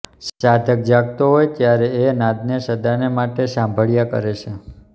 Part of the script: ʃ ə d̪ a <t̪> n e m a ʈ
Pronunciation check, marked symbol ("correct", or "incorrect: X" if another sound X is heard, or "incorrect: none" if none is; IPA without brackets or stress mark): incorrect: none